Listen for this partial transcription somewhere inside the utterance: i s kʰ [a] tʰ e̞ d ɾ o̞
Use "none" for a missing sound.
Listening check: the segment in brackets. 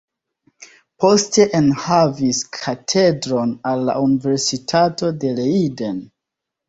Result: a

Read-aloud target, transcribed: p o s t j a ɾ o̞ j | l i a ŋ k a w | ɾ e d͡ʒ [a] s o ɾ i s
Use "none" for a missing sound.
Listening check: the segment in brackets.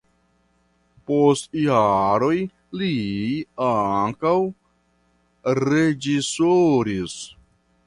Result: i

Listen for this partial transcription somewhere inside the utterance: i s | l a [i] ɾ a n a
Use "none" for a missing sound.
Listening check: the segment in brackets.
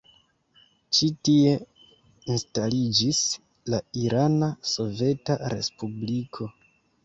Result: i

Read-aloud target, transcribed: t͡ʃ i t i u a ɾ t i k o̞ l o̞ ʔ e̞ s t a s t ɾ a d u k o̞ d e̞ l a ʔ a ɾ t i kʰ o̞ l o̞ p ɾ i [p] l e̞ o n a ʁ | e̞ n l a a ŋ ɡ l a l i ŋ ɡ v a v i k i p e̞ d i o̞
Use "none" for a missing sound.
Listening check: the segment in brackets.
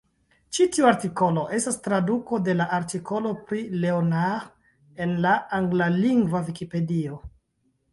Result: none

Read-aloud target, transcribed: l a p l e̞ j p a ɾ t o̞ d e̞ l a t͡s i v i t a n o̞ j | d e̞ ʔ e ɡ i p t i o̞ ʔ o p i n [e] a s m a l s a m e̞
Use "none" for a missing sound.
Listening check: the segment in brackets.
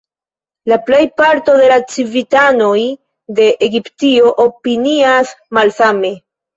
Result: i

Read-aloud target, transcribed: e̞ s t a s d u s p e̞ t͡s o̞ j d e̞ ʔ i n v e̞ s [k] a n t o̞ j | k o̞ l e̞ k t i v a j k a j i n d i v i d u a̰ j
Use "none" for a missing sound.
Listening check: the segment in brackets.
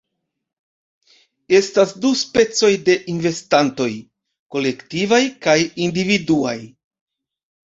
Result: t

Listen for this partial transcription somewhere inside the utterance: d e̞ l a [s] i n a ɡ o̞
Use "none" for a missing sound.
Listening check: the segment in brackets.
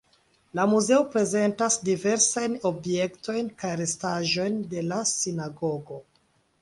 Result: s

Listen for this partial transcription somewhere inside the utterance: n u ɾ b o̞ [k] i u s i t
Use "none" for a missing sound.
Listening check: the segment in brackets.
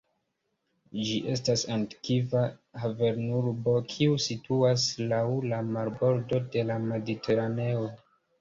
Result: kʰ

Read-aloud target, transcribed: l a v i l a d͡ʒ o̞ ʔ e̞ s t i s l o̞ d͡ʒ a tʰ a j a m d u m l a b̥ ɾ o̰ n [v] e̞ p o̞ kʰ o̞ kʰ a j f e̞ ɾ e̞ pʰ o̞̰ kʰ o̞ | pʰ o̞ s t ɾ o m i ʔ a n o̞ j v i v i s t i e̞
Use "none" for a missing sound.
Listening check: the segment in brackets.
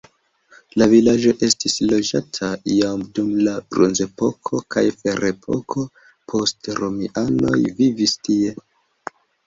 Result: z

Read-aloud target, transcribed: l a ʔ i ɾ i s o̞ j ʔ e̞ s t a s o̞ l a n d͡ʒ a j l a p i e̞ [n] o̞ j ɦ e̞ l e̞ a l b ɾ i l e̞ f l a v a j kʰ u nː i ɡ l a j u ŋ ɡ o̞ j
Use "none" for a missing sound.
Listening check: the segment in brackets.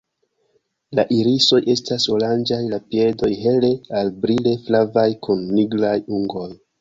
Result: d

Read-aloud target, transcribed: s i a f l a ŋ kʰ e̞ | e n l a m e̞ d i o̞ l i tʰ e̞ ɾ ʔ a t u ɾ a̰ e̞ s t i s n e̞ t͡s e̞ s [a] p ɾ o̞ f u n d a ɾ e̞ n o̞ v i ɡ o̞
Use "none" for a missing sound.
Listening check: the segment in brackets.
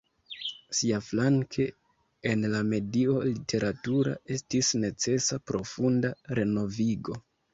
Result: a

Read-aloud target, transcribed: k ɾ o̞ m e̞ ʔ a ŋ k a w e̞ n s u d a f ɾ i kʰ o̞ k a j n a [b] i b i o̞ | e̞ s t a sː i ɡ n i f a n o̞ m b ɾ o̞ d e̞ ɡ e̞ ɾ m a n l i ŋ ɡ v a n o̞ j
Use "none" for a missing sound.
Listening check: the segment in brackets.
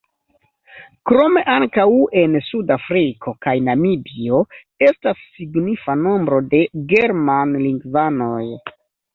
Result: m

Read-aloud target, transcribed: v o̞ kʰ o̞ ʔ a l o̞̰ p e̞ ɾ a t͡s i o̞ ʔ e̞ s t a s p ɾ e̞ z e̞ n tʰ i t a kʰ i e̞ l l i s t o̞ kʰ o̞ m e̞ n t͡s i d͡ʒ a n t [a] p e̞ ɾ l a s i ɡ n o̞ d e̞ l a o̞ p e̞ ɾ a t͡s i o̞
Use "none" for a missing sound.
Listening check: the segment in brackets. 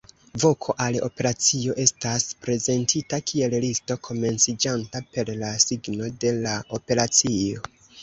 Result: a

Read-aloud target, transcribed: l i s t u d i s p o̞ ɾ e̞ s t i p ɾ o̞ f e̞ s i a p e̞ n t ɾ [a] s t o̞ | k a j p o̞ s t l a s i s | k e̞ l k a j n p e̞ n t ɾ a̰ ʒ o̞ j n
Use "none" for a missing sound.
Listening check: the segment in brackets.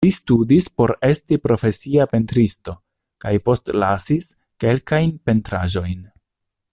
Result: i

